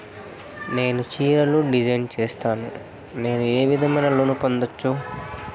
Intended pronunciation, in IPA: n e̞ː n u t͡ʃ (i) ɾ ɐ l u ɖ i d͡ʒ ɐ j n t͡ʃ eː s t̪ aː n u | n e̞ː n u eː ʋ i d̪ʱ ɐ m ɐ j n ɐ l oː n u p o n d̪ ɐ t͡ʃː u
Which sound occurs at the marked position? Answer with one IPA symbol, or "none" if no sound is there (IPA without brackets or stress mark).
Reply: iː